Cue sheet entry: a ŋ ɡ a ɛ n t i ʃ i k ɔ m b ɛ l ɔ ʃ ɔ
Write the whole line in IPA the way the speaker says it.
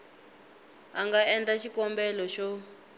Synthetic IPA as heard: a ŋ ɡ a ɛ n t a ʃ i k ɔ m b ɛ l ɔ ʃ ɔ